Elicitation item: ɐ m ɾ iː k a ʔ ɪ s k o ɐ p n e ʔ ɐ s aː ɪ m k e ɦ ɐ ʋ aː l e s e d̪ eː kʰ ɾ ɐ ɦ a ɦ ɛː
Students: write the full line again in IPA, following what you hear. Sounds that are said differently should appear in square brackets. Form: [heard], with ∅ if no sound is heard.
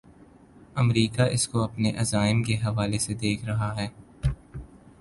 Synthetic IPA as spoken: ɐ m ɾ iː k a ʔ ɪ s k o ɐ p n e ʔ ɐ [z] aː ɪ m k e ɦ ɐ ʋ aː l e s e d̪ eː kʰ ɾ ɐ ɦ a ɦ ɛː